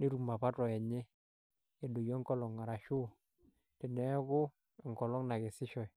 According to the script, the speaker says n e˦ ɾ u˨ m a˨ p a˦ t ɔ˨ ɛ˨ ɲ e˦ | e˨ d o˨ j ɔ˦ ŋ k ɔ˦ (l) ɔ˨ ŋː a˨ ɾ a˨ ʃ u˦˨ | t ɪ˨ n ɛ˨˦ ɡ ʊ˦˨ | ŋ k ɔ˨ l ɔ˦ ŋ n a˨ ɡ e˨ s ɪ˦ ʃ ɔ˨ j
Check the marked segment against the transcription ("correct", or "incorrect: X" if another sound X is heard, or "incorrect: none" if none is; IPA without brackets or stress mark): correct